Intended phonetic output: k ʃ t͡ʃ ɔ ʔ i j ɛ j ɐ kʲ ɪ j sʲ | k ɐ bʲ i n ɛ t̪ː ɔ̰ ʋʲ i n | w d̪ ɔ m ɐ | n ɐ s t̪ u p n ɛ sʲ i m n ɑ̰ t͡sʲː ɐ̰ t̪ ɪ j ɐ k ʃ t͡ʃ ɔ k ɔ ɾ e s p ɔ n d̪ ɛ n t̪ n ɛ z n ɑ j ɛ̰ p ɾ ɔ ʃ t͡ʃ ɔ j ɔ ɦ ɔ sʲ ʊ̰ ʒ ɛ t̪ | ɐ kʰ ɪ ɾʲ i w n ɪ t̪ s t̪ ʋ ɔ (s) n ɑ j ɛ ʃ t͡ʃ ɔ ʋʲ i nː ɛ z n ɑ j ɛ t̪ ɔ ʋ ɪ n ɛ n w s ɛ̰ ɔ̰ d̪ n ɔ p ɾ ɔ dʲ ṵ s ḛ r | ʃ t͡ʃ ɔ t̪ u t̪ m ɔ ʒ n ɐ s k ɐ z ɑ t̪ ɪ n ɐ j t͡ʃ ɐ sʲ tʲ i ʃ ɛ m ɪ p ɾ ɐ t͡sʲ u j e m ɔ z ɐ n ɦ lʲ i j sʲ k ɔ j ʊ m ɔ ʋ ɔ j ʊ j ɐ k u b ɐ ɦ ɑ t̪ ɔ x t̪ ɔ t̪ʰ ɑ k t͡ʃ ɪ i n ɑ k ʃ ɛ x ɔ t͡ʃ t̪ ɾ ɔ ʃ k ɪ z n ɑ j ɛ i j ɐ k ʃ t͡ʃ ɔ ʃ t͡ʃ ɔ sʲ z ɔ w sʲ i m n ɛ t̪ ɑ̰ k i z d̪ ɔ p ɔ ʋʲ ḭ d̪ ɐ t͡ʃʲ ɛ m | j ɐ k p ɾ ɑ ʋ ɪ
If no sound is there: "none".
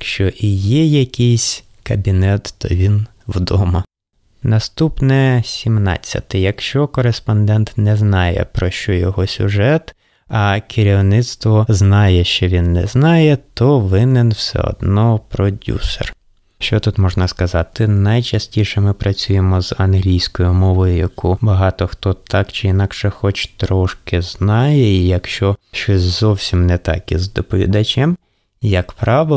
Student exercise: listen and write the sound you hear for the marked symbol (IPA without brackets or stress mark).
z